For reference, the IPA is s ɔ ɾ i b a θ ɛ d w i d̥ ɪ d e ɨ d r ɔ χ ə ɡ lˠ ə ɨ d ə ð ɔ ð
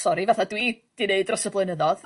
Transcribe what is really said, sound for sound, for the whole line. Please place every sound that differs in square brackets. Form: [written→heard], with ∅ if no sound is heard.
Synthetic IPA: s ɔ ɾ i [b→v] a θ [ɛ→a] d w i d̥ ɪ [d→n] e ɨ d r ɔ [χ→s] ə [ɡ→b] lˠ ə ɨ [d→n] ə ð ɔ ð